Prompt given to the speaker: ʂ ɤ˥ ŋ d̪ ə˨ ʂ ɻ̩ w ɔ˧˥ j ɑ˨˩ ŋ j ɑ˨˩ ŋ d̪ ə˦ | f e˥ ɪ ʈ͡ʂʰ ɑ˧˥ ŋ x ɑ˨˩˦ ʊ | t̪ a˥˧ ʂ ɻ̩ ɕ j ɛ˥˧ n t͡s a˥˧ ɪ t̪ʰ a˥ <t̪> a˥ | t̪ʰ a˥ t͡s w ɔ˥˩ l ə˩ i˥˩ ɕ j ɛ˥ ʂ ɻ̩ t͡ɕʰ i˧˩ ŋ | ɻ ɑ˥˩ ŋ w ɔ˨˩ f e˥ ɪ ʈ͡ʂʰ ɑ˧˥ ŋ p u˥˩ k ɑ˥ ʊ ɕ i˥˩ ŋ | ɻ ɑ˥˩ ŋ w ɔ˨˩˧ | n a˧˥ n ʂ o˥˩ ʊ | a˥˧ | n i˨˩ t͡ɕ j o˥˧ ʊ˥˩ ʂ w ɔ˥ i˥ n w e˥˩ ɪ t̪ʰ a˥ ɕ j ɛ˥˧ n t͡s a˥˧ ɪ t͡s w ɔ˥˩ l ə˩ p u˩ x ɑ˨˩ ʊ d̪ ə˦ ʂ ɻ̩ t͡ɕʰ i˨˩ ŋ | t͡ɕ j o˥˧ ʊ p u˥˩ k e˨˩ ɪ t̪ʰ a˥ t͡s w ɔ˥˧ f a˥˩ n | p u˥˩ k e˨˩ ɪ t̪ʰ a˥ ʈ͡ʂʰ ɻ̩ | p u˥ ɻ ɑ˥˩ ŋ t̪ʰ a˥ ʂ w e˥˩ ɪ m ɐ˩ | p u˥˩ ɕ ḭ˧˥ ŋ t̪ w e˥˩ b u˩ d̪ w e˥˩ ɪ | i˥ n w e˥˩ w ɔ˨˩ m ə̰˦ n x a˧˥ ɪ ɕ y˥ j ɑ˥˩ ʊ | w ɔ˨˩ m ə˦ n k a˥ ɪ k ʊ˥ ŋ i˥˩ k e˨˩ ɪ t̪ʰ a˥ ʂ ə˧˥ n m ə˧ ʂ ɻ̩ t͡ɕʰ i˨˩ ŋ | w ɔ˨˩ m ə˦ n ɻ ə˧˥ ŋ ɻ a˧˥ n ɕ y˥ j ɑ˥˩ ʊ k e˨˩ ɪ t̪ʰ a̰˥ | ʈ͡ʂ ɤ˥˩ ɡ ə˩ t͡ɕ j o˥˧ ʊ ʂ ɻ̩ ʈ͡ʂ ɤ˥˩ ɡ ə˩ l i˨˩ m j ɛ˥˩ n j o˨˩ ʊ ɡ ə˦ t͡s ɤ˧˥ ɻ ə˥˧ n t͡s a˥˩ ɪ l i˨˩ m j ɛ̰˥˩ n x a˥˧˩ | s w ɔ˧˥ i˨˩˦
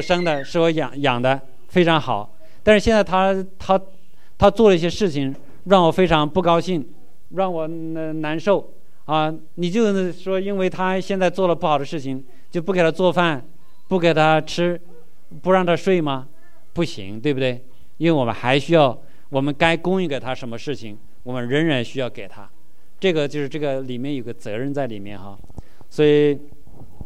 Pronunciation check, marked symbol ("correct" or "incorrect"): incorrect